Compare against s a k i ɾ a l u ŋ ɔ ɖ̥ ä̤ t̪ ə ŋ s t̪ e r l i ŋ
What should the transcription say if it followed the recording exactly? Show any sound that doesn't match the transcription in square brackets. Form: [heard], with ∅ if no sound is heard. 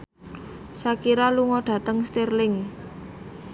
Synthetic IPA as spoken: s a k i ɾ a l u ŋ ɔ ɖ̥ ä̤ t̪ ə ŋ s t̪ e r l [ɪ] ŋ